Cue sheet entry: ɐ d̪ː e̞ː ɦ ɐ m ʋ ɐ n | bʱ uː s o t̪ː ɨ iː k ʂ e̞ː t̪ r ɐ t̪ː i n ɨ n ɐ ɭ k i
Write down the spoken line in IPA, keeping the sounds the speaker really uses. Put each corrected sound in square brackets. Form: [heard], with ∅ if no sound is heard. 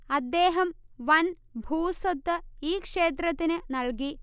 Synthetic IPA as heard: ɐ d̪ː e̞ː ɦ ɐ m ʋ ɐ n | bʱ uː s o t̪ː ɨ iː k ʂ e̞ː t̪ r ɐ t̪ː i n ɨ n ɐ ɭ k i